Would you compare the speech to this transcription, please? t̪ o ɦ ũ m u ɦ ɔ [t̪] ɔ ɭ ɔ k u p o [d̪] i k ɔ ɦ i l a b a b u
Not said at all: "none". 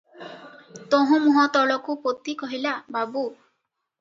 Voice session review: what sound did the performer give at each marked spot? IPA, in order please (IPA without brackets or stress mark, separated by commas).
t̪, t̪